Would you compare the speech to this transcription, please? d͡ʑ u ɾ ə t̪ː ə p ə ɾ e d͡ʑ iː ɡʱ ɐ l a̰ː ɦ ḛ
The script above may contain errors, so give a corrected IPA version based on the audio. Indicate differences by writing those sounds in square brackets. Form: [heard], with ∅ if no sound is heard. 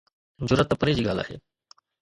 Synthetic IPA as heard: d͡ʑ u ɾ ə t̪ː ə p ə ɾ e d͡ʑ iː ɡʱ [a] l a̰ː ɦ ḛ